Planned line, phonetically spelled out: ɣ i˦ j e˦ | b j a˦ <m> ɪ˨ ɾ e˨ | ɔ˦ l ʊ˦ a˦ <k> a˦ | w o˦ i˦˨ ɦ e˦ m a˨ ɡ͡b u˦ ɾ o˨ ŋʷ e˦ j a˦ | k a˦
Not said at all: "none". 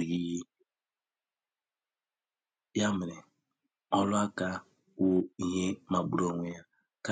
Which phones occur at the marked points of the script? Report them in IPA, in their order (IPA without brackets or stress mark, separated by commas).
m, k